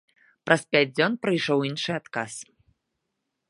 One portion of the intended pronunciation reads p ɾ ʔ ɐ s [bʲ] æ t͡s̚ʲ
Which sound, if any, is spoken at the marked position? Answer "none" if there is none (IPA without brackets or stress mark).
pʲ